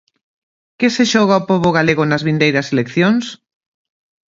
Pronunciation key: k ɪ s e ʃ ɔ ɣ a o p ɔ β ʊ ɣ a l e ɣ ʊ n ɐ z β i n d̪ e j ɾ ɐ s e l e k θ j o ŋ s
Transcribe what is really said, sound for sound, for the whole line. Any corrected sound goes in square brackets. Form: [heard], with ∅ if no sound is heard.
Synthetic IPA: k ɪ s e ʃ ɔ ɣ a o p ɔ β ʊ ɣ a l e ɣ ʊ n ɐ z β i n d̪ e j ɾ ɐ s e l e k θ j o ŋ s